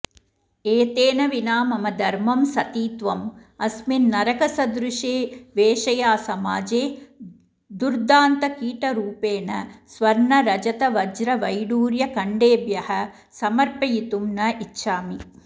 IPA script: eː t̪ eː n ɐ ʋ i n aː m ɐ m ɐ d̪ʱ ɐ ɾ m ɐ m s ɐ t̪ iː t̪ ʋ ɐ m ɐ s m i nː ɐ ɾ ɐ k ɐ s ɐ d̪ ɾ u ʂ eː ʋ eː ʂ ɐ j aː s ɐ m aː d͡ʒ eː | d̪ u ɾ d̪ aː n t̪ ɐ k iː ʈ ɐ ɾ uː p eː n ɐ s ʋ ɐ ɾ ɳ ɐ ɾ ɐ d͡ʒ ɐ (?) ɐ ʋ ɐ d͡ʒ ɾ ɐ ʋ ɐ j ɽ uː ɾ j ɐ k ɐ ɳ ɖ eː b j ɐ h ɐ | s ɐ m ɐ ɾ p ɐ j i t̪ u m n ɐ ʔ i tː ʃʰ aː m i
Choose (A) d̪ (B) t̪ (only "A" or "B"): B